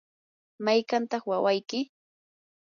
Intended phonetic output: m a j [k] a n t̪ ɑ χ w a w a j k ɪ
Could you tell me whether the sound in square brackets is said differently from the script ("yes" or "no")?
no